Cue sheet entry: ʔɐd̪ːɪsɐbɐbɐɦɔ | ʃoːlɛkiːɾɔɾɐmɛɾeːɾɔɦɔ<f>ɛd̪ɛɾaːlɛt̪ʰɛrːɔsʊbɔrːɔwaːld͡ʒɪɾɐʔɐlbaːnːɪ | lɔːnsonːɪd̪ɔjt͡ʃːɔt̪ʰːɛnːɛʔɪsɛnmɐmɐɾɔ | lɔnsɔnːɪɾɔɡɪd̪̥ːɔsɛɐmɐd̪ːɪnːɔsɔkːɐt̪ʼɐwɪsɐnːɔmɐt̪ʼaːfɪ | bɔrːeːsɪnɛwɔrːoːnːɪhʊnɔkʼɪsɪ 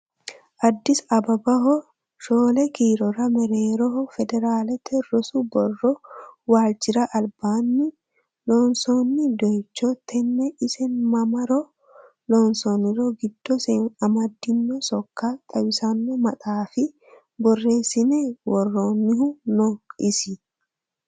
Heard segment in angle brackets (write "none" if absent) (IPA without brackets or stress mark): f